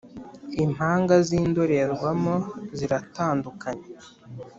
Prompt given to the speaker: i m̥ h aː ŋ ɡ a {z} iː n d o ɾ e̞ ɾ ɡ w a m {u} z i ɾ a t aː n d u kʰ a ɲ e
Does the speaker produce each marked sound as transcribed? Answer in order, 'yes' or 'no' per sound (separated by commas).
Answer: yes, no